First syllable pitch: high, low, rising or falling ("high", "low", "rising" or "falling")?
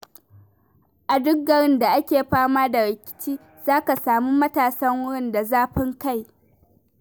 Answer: low